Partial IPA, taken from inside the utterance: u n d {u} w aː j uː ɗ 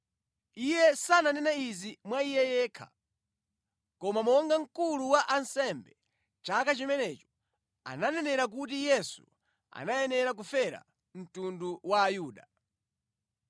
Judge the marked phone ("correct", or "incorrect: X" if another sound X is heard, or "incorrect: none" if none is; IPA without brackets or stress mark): correct